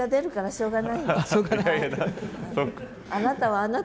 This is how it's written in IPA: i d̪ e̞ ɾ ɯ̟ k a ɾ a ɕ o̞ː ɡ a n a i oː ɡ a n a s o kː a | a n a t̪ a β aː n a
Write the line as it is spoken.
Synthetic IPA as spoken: a d̪ e̞ ɾ ɯ̟ k a ɾ a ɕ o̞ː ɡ a n a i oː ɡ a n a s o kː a | a n a t̪ a β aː n a